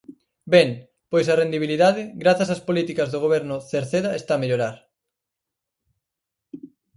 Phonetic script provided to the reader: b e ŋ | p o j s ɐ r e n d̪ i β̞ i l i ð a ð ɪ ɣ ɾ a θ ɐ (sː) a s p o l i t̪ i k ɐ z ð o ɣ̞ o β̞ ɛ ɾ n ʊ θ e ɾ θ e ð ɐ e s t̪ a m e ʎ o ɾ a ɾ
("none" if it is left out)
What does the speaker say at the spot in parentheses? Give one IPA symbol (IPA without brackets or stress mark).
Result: s